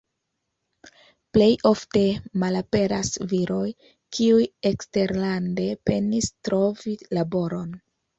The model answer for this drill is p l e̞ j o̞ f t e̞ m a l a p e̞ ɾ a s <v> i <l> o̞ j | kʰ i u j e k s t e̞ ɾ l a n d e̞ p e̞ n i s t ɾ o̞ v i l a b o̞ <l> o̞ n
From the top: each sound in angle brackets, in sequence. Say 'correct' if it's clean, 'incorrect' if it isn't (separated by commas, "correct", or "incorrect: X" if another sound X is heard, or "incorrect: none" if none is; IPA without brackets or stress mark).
correct, incorrect: ɾ, incorrect: ɾ